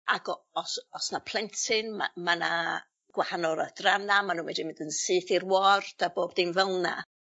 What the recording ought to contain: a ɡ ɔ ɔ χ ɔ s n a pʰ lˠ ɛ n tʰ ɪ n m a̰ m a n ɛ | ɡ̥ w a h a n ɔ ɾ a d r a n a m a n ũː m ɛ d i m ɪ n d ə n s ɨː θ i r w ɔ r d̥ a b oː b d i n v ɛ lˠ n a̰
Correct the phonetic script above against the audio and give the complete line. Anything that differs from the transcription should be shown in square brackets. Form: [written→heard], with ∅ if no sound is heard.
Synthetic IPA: a ɡ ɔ ɔ [χ→s] ɔ s n a pʰ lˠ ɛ n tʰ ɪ n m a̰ m a n [ɛ→a] | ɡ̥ w a h a n ɔ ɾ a d r a n a m a n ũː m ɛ d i m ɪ n d ə n s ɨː θ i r w ɔ r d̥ a b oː b d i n v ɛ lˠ n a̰